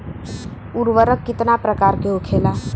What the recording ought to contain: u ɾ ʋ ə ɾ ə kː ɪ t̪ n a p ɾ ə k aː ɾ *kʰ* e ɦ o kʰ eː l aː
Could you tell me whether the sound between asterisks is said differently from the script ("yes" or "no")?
yes